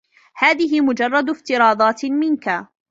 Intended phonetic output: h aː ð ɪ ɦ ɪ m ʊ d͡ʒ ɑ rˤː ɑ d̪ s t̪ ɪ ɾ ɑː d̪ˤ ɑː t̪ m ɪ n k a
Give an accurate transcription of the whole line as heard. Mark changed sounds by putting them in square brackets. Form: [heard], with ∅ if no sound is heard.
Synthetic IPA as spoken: h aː ð ɪ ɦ ɪ m ʊ d͡ʒ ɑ rˤː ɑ d̪ [f] t̪ ɪ ɾ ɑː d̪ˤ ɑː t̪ m ɪ n k a